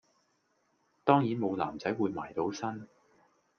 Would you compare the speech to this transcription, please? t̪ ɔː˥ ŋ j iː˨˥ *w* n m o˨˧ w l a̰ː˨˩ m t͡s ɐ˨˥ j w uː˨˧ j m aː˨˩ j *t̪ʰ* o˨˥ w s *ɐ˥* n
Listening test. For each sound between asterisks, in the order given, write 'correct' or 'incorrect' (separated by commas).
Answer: incorrect, incorrect, correct